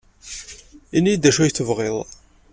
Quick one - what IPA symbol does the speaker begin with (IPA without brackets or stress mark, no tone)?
i